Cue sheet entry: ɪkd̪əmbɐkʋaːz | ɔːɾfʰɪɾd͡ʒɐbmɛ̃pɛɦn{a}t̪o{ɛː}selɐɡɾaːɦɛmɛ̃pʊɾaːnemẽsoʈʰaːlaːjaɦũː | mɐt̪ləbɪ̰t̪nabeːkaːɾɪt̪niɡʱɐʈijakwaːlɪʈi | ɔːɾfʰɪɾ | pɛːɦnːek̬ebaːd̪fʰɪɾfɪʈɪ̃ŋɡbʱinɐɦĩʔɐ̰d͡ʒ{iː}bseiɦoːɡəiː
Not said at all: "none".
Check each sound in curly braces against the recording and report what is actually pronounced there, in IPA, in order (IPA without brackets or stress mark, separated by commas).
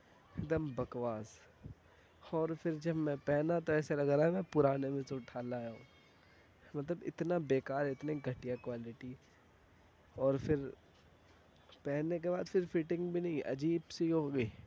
a, ɛː, iː